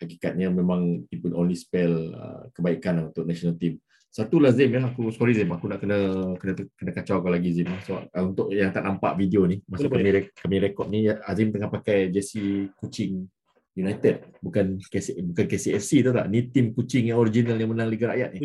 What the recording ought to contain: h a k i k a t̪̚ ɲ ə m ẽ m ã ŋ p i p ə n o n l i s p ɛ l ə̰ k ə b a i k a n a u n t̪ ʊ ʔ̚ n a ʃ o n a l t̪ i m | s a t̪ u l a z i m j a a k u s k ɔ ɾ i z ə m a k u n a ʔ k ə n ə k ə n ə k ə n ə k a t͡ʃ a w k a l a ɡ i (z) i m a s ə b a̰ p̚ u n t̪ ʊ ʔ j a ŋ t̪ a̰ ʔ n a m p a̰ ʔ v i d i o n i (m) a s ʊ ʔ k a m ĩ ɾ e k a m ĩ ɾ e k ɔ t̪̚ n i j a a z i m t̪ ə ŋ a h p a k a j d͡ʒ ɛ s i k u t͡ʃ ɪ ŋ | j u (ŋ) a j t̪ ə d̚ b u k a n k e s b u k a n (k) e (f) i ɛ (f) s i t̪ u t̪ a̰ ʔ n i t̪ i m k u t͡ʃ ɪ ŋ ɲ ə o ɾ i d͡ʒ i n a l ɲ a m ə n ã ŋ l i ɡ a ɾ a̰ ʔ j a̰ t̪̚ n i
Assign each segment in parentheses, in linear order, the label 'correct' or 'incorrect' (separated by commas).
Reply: correct, correct, incorrect, correct, incorrect, correct